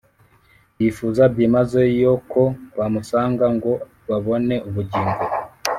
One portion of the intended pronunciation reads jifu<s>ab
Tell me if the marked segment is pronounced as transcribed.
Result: no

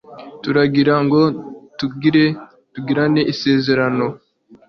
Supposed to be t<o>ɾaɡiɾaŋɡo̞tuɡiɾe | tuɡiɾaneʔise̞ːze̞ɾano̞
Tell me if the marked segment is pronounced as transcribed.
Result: no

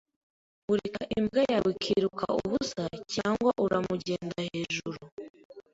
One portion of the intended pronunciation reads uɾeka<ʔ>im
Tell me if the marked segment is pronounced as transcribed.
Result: yes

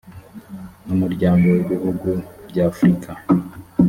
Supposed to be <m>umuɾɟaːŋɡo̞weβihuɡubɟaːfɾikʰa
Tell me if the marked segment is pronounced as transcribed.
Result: no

